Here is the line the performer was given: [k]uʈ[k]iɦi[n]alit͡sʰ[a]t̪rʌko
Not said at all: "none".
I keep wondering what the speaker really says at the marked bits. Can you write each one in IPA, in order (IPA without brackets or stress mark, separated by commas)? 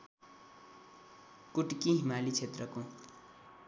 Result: k, k, m, e